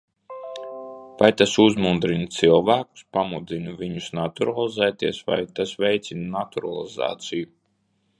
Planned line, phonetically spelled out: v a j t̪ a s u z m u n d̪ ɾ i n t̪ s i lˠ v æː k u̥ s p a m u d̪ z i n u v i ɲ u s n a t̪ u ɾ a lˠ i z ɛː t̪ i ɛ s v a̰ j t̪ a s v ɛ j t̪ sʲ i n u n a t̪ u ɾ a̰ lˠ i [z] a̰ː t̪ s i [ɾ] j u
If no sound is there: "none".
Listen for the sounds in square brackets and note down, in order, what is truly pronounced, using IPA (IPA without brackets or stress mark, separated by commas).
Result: z, none